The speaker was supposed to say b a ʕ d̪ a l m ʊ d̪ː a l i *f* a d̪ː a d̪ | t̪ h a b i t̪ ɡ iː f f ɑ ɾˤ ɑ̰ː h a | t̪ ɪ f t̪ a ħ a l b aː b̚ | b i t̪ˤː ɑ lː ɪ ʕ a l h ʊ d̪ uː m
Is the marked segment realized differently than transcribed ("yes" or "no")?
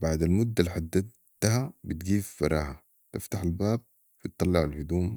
yes